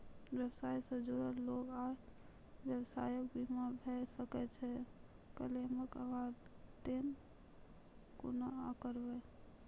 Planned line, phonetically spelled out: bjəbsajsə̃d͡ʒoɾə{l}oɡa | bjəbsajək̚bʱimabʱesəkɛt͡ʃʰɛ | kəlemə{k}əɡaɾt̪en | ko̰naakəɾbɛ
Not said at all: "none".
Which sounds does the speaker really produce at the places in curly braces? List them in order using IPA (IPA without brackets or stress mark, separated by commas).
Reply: l, k